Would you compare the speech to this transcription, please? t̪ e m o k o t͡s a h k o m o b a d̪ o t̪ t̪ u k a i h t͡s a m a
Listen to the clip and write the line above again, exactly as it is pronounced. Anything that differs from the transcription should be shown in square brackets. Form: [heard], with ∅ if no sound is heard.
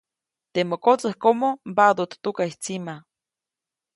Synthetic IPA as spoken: t̪ e m o k o t͡s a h k o m o b a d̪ o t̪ t̪ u k a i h t͡s [i] m a